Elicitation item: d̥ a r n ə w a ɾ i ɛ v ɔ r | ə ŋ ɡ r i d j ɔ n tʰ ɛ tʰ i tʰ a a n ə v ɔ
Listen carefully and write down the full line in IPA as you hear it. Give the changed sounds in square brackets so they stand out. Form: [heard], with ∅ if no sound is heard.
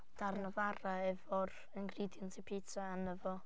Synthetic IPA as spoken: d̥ a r n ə [v] a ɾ [a] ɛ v ɔ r | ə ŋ ɡ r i d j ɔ n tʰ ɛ [pʰ] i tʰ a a n ə v ɔ